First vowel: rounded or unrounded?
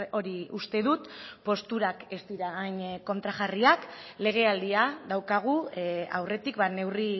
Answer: rounded